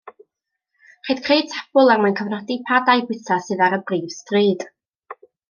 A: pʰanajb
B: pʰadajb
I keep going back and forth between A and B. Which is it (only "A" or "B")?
B